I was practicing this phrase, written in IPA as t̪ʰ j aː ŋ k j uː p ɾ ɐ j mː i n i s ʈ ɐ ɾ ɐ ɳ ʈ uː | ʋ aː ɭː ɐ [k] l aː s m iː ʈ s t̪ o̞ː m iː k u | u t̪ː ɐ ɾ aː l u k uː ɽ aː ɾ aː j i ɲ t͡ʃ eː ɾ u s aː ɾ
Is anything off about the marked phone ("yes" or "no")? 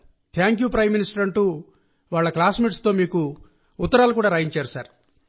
no